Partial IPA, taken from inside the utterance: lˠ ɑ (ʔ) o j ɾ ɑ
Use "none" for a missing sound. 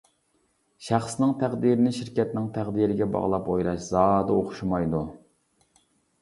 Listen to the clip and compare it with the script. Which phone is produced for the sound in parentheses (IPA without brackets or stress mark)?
p